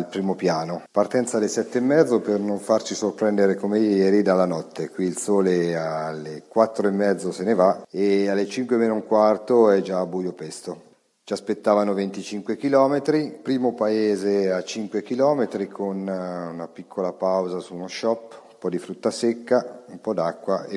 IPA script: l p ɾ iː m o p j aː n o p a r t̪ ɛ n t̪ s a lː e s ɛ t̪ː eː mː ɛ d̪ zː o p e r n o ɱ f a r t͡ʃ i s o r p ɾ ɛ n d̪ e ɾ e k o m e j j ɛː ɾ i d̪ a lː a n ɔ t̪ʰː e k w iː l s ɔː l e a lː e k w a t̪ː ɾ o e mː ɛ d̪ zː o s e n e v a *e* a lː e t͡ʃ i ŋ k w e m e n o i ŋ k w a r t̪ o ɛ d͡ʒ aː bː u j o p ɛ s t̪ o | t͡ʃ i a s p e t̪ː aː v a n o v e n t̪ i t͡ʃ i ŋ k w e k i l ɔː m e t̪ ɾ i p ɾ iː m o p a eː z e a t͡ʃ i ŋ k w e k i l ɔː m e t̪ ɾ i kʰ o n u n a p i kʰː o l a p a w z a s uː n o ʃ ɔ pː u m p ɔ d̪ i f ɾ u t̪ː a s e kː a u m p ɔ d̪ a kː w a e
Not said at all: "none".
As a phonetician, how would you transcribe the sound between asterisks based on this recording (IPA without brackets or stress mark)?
e